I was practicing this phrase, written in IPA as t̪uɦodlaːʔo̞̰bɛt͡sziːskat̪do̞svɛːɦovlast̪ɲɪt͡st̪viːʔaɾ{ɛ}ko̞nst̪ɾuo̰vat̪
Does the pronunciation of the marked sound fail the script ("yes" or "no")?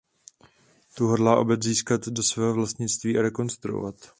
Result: no